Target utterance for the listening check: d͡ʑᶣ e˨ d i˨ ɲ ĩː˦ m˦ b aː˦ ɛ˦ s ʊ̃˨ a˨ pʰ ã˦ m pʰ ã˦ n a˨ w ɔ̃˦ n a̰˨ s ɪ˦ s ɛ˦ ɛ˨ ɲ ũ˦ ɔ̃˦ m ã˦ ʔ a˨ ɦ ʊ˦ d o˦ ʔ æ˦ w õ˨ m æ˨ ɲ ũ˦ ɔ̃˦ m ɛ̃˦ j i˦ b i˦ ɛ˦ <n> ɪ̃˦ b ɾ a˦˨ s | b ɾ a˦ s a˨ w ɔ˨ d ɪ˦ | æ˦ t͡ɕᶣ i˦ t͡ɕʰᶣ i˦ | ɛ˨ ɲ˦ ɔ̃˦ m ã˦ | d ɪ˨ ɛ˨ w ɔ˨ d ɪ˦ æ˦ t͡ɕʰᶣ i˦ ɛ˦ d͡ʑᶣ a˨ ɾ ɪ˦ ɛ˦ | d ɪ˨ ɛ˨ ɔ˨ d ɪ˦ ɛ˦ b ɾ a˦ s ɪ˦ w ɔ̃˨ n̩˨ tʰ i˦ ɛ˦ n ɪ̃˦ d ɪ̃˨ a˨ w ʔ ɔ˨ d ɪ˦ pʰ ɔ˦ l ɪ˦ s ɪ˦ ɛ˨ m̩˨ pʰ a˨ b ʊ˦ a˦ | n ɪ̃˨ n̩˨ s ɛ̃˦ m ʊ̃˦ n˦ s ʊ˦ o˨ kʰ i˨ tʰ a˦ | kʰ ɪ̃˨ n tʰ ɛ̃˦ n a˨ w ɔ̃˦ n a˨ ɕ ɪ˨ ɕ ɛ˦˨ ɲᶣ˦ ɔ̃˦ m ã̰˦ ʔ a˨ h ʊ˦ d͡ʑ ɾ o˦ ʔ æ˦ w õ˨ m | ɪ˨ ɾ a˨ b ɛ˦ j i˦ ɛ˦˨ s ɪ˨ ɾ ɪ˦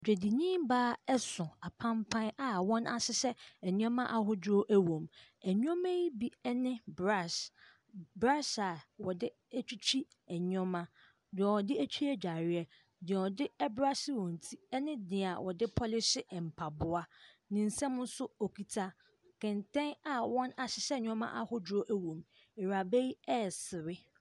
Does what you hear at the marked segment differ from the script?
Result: no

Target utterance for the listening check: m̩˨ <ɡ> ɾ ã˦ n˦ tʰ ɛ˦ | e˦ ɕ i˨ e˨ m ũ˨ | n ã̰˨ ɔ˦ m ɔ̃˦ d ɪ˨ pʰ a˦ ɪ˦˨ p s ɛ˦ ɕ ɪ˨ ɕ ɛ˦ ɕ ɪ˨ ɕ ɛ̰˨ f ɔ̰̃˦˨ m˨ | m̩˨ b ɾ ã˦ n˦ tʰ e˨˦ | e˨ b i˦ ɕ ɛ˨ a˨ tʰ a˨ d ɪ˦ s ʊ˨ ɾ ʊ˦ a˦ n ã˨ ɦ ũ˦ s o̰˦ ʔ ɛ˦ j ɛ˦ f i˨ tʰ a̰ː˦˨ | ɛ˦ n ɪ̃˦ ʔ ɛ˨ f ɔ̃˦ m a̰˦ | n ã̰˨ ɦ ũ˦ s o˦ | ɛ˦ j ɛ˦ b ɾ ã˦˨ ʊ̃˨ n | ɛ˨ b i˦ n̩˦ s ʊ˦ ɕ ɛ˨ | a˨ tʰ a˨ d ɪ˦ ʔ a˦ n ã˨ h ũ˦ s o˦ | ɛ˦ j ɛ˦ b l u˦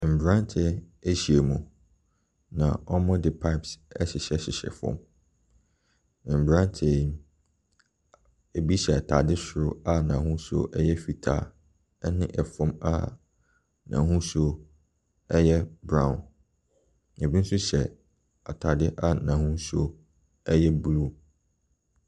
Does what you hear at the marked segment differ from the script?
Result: yes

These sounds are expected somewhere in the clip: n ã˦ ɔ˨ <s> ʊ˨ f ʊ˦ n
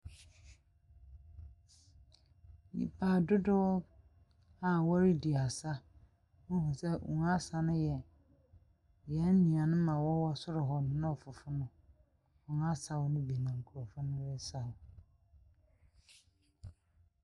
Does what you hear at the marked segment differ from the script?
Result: yes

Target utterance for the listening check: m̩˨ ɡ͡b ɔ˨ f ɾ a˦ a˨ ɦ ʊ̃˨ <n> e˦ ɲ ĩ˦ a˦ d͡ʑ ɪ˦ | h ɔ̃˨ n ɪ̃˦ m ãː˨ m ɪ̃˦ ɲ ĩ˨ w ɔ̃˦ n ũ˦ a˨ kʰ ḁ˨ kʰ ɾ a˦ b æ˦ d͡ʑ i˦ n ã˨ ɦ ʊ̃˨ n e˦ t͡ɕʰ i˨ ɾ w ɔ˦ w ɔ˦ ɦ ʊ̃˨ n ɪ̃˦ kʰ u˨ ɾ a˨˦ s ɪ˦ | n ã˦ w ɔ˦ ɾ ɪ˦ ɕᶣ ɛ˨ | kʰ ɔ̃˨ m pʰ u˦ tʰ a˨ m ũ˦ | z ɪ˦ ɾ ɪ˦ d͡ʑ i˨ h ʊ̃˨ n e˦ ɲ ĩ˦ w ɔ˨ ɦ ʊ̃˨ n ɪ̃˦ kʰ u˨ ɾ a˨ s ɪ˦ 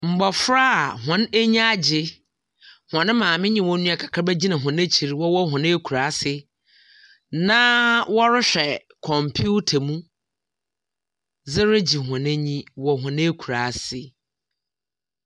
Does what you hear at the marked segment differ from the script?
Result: no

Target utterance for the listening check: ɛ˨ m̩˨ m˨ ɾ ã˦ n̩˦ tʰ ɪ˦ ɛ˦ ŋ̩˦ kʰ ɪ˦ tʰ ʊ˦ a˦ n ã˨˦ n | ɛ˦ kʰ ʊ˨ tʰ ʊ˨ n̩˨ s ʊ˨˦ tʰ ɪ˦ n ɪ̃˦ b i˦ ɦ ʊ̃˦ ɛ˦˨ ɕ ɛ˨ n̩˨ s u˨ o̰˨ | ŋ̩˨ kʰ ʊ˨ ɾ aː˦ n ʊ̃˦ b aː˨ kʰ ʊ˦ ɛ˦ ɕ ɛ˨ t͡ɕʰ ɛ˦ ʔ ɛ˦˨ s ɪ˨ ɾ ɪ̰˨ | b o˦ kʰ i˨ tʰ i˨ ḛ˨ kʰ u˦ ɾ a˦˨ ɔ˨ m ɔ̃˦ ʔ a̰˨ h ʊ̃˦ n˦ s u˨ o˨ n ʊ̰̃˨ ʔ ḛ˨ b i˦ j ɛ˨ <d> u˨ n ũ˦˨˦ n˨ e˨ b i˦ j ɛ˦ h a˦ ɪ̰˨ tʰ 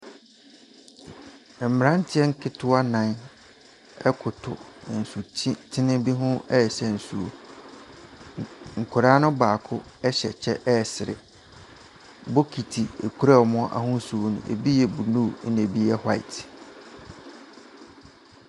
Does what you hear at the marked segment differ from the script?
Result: yes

